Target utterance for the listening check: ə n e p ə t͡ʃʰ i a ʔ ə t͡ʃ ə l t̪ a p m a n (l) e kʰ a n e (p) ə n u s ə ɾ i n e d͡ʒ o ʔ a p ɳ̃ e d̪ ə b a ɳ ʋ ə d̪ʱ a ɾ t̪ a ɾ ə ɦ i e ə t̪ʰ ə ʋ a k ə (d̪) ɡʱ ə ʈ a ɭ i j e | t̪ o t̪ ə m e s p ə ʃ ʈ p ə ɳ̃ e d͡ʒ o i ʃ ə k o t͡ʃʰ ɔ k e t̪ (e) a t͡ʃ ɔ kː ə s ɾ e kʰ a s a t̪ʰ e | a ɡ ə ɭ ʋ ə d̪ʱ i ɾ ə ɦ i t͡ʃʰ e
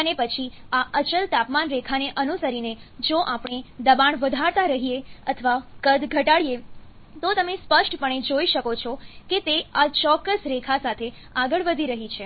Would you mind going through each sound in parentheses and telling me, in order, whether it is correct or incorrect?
incorrect: ɾ, incorrect: ʔ, correct, correct

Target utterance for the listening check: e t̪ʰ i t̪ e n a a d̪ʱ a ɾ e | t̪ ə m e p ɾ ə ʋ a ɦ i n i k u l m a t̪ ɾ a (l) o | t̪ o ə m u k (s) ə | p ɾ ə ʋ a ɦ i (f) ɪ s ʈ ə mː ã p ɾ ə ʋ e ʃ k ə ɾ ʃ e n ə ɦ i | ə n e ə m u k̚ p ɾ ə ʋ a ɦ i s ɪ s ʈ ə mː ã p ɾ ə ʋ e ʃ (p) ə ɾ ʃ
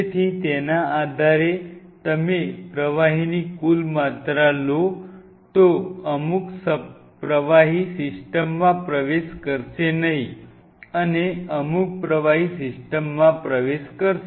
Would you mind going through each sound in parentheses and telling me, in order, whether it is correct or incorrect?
correct, correct, incorrect: s, incorrect: k

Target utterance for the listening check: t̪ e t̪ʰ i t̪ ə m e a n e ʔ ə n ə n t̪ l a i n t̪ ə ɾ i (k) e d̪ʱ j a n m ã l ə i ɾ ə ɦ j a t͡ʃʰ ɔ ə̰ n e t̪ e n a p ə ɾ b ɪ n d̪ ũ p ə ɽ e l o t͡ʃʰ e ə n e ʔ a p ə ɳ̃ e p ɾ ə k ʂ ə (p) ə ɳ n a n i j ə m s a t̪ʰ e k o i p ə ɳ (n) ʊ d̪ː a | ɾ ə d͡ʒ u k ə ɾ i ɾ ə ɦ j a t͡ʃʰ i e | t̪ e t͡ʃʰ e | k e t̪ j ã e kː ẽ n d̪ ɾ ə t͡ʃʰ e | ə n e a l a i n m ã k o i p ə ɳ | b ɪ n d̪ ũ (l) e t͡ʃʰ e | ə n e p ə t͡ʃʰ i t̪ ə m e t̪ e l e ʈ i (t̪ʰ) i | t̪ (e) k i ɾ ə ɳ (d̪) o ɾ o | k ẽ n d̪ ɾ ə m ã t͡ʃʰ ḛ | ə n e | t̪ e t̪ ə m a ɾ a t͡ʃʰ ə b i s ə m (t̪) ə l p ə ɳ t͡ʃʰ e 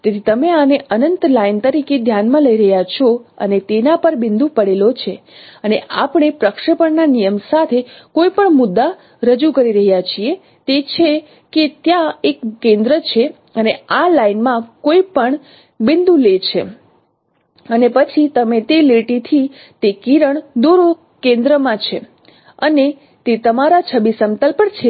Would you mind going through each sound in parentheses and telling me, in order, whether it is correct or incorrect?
correct, correct, incorrect: m, correct, correct, correct, correct, correct

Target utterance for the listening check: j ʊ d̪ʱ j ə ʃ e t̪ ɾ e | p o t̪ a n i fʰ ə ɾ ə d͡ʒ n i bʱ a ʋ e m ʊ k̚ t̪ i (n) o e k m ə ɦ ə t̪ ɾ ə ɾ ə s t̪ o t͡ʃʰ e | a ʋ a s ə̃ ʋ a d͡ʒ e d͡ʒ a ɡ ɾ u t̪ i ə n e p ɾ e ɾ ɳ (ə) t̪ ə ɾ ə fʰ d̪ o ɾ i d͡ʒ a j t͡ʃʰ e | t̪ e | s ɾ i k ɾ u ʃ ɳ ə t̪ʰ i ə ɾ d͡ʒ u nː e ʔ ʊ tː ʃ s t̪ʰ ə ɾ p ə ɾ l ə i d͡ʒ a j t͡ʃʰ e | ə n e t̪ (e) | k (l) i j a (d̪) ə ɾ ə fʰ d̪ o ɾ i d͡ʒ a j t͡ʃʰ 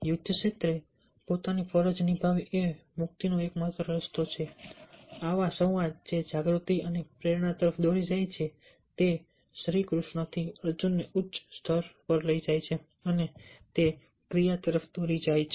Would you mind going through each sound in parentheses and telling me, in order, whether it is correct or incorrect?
correct, incorrect: a, correct, incorrect: ɾ, incorrect: t̪

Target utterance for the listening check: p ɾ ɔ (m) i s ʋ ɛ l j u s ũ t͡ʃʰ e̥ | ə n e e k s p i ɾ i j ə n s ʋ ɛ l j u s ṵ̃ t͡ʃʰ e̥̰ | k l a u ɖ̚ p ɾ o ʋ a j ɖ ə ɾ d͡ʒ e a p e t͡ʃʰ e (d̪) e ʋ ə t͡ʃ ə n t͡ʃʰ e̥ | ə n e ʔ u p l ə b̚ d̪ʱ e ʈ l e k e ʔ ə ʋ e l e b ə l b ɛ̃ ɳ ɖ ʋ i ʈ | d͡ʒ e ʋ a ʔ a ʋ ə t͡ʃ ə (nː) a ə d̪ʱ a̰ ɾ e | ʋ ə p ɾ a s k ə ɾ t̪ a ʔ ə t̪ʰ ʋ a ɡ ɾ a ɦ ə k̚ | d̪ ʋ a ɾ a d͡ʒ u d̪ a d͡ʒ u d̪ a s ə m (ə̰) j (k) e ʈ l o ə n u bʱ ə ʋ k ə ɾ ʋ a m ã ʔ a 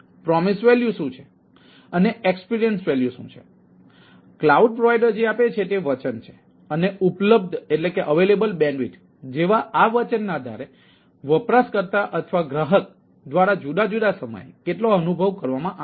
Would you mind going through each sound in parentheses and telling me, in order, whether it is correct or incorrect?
correct, incorrect: t̪, correct, correct, correct

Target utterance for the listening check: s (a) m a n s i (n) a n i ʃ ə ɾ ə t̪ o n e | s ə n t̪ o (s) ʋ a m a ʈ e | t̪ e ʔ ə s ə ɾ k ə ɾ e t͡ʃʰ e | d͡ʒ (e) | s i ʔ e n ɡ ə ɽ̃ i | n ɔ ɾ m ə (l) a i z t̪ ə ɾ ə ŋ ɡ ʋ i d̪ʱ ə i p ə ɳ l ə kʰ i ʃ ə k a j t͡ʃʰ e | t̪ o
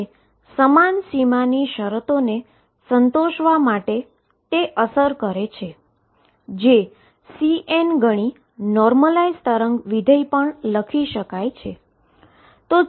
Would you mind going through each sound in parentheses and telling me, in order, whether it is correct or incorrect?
incorrect: ə, incorrect: m, incorrect: ʃ, correct, correct

